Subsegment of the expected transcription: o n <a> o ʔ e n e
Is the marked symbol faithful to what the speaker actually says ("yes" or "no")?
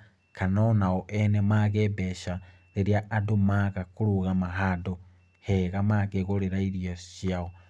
yes